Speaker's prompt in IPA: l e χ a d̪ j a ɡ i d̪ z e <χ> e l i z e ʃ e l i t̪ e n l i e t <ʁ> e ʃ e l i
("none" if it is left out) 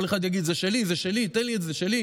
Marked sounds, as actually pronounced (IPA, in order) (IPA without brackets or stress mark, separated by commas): ʃ, z